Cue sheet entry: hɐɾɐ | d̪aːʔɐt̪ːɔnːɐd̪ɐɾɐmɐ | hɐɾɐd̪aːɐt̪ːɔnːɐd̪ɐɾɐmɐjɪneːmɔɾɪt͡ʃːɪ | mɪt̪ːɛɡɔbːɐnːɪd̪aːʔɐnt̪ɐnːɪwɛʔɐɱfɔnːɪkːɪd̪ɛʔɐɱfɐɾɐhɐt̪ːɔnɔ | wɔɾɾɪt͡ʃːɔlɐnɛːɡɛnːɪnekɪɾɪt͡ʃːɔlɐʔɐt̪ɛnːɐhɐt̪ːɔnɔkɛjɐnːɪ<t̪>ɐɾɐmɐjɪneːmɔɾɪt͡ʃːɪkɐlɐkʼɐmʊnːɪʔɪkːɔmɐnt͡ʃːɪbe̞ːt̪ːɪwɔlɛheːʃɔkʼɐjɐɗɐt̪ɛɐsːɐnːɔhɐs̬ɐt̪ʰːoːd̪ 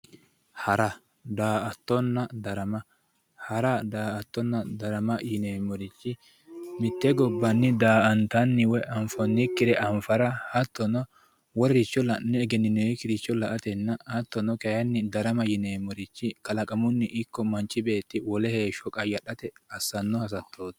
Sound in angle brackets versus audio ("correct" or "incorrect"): incorrect